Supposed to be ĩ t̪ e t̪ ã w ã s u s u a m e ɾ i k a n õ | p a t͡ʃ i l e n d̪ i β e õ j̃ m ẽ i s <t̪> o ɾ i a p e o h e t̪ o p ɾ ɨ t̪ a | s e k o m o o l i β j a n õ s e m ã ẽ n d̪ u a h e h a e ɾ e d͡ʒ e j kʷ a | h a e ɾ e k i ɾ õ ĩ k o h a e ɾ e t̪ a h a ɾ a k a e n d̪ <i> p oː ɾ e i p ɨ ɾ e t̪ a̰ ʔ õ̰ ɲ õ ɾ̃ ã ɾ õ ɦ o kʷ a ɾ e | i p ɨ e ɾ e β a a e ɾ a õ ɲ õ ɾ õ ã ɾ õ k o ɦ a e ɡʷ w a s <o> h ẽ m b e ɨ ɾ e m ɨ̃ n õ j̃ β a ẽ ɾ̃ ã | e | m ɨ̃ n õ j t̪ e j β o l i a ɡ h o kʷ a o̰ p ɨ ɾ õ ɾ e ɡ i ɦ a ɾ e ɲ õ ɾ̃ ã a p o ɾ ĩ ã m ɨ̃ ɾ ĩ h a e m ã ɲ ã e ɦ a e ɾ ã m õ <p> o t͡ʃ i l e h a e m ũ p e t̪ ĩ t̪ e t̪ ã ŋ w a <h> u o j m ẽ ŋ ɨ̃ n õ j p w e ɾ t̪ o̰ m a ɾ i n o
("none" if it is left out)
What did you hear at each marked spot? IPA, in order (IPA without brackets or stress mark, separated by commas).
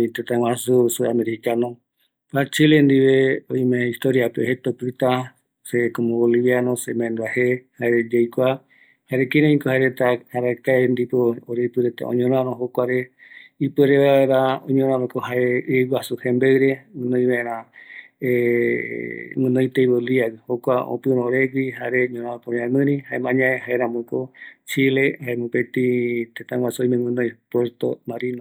t̪, i, u, k, s